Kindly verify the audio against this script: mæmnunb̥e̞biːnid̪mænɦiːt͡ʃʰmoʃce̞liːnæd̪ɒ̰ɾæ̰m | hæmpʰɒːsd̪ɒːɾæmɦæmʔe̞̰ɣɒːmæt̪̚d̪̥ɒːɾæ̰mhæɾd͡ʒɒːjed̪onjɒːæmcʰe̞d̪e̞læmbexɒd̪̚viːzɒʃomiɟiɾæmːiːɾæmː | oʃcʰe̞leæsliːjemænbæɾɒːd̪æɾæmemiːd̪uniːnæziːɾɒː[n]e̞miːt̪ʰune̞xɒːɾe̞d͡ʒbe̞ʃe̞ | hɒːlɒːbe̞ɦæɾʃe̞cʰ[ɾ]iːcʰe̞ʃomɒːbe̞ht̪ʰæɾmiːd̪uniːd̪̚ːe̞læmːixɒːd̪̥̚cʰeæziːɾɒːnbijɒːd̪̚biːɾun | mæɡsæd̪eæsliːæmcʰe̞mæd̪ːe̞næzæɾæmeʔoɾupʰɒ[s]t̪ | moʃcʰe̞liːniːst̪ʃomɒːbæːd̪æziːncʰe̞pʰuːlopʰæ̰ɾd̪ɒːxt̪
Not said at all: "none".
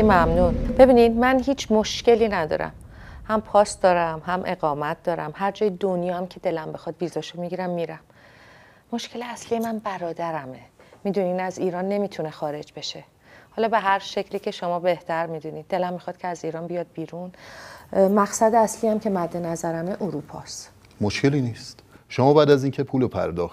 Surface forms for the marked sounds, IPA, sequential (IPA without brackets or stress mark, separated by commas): nː, l, s